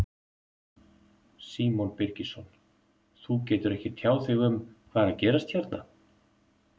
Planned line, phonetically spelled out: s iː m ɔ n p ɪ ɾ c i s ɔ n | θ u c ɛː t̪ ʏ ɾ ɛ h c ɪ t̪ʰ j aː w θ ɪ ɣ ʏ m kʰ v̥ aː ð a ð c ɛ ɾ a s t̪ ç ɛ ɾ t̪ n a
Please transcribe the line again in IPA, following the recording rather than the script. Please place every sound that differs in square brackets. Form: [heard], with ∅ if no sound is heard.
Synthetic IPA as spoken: s iː m ɔ n p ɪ ɾ c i s ɔ n | θ u c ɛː t̪ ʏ ɾ ɛ h c ɪ t̪ʰ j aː w θ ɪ ɣ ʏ m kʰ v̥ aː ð a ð c [ɛː] ɾ a s t̪ ç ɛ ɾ t̪ n a